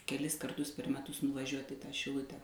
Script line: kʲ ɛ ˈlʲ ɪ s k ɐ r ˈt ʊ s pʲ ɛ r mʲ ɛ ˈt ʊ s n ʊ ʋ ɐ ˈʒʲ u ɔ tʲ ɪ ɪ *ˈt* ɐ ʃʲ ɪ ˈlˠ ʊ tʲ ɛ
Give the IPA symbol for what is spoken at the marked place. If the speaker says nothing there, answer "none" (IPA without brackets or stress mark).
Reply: t